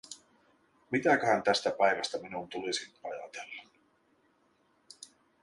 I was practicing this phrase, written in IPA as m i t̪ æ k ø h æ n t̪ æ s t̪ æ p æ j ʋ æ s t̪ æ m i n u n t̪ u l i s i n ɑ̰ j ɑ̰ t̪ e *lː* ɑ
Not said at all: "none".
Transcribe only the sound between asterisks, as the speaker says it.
lː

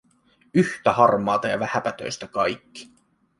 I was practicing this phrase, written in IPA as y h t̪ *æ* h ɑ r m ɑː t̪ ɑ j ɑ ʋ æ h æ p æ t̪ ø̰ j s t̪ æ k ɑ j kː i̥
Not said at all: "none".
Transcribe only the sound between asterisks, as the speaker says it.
æ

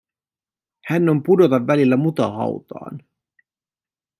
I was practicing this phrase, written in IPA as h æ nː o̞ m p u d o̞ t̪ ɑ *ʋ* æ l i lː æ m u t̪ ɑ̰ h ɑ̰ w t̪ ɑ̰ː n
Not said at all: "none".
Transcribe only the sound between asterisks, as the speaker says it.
ʋː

